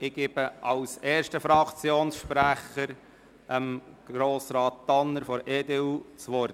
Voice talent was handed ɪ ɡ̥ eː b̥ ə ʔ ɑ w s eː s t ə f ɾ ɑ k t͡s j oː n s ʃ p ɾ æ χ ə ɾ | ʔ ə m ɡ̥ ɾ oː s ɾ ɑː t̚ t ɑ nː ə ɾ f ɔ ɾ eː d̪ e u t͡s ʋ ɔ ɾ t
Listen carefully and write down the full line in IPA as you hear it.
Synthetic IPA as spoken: ɪ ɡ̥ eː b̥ ə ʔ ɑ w s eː ʃ t ə f ɾ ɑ k t͡s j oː n s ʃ p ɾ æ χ ə ɾ | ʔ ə m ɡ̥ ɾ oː s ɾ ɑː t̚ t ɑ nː ə ɾ f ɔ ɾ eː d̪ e u t͡s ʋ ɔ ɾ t